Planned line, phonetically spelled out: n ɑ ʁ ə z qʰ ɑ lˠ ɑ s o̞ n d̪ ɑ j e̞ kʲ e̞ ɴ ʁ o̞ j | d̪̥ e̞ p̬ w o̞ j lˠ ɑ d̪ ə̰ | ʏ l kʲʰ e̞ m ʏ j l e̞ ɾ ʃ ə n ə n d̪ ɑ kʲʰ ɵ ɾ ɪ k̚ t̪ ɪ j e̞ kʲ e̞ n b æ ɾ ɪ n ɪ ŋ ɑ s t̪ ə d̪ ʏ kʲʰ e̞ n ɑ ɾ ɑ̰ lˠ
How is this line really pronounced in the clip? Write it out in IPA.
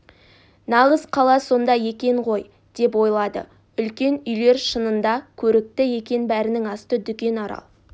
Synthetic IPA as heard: n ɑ ʁ ə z qʰ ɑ lˠ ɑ s o̞ n d̪ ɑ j e̞ kʲ e̞ ɴ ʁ o̞ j | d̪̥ e̞ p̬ w o̞ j lˠ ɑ d̪ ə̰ | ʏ l kʲ e̞ n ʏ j l e̞ ɾ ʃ ə n ə n d̪ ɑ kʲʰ ɵ ɾ ɪ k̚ t̪ ɪ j e̞ kʲ e̞ n b æ ɾ ɪ n ɪ ŋ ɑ s t̪ ə d̪ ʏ kʲ e̞ n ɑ ɾ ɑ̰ lˠ